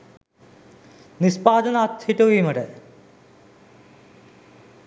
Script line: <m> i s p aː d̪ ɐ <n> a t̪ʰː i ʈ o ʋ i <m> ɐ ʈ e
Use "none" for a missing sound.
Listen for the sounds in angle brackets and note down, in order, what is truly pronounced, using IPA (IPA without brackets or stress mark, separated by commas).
n, n, m